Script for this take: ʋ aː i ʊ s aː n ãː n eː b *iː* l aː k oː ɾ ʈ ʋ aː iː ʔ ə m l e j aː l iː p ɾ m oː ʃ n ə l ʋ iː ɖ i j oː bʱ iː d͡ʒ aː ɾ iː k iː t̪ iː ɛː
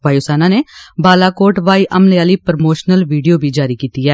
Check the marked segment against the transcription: incorrect: aː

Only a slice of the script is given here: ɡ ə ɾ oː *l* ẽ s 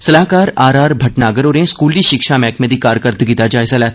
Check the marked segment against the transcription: incorrect: ɾ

